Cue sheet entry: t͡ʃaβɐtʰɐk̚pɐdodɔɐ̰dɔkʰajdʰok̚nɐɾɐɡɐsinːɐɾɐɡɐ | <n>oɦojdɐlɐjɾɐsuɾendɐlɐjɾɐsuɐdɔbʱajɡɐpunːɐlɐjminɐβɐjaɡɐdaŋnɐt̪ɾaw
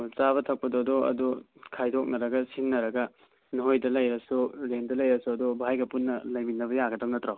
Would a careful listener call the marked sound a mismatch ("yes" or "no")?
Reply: no